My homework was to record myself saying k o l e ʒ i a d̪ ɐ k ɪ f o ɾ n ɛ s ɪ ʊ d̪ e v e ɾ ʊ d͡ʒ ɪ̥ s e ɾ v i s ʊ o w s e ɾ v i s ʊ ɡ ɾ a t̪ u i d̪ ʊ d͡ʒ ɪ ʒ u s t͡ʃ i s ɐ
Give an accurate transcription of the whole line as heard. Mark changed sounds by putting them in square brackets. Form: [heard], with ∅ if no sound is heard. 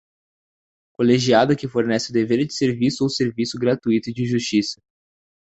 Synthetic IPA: k o l e ʒ i a d̪ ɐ k ɪ f o ɾ n ɛ s ɪ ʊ d̪ e v e ɾ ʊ d͡ʒ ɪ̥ s e ɾ v i s ʊ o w s e ɾ v i s ʊ ɡ ɾ a t̪ u i [t̪] ʊ d͡ʒ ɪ ʒ u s t͡ʃ i s ɐ